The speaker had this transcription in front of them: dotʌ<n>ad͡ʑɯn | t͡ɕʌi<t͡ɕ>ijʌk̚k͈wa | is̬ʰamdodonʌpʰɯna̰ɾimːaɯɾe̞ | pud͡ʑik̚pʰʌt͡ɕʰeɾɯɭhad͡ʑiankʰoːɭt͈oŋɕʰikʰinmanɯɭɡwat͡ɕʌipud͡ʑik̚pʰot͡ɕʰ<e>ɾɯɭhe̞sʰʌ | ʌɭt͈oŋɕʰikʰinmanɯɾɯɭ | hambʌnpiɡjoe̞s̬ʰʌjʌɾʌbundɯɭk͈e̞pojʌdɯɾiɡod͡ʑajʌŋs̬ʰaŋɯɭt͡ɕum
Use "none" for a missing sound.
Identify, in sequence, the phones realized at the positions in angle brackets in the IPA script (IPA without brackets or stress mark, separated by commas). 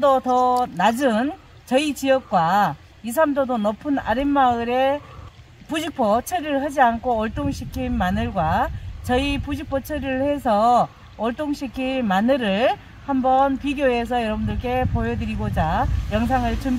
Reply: n, t͡ɕ, e